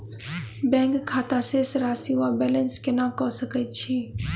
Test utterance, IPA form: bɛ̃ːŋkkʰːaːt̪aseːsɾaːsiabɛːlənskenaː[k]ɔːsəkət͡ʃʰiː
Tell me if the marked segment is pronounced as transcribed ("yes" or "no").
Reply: yes